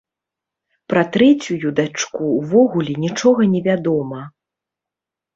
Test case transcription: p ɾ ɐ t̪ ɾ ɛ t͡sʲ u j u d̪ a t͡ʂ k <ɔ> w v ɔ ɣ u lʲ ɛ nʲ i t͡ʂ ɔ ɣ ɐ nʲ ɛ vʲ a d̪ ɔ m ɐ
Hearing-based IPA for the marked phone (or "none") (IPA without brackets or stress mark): u